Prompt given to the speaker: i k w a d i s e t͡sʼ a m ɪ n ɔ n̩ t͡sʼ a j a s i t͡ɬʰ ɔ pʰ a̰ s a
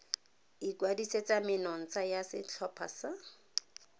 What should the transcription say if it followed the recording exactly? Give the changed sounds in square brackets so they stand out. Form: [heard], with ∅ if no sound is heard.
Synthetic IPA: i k w a d i s e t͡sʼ a m ɪ n ɔ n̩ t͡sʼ a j a s [ɪ] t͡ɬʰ ɔ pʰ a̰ s a